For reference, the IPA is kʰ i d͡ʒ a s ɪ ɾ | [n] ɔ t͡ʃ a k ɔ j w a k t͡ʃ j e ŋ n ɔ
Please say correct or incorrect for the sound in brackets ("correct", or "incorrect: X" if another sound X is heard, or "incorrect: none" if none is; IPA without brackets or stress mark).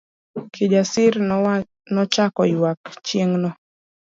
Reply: correct